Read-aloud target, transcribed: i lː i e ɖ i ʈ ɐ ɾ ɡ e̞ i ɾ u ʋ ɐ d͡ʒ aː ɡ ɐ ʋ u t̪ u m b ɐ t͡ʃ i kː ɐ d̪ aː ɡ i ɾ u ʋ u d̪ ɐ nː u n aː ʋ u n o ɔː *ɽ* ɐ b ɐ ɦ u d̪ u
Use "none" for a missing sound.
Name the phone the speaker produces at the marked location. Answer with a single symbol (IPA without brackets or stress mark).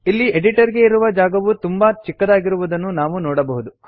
ɽ